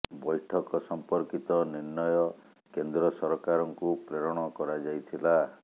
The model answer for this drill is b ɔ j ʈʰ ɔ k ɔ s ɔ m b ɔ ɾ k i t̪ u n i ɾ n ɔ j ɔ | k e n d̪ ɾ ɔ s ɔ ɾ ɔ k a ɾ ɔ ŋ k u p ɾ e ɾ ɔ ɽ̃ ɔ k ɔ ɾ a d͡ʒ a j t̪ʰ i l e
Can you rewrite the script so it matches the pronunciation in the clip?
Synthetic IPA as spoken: b ɔ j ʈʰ ɔ k ɔ s ɔ m p ɔ ɾ k i t̪ ɔ n i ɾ n ɔ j ɔ | k e n d̪ ɾ ɔ s ɔ ɾ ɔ k a ɾ ɔ ŋ k u p ɾ e ɾ ɔ ɽ̃ ɔ k ɔ ɾ a d͡ʒ a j t̪ʰ i l a